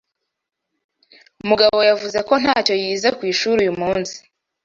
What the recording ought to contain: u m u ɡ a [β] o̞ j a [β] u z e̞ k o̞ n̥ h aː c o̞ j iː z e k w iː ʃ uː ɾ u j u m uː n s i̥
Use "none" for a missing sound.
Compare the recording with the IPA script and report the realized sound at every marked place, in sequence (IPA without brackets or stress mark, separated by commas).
β, v